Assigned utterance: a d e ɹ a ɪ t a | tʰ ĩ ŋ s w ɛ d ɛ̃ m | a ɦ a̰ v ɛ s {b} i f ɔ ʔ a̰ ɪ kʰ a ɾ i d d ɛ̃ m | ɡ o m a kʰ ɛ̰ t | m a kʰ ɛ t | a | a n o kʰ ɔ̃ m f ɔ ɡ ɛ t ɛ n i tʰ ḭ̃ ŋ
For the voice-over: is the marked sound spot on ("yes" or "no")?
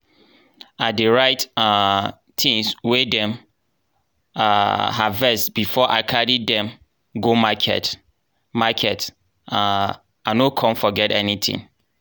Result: yes